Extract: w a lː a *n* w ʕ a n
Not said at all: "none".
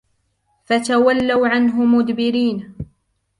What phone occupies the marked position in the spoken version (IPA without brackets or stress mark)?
none